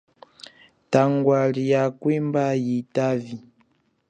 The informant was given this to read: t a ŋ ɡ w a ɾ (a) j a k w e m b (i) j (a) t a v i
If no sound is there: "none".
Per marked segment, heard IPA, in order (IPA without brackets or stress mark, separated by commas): i, a, i